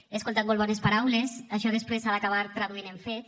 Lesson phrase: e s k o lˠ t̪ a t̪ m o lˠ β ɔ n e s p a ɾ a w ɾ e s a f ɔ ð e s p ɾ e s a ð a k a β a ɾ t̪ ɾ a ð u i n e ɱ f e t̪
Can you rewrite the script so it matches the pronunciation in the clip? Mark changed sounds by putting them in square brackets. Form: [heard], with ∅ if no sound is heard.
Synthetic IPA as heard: e s k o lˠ t̪ a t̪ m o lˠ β ɔ n e s p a ɾ a w [l] e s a [ʃ] ɔ ð e s p ɾ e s a ð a k a β a ɾ t̪ ɾ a ð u i n e ɱ f e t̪